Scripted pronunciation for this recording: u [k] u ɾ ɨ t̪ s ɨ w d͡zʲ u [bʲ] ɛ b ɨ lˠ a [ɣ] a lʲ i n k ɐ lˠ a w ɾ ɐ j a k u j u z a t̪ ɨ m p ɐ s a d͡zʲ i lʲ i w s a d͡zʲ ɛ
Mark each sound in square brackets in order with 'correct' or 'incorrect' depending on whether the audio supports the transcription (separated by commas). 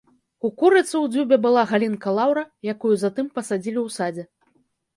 correct, correct, correct